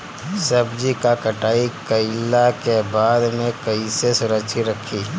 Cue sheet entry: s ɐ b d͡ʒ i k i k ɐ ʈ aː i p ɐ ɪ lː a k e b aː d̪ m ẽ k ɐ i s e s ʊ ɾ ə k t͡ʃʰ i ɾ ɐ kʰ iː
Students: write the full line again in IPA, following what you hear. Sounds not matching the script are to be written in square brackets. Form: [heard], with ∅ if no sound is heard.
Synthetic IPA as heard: s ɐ b d͡ʒ i k [a] k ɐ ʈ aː i [k] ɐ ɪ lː a k e b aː d̪ m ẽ k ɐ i s e s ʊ ɾ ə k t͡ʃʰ i ɾ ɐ kʰ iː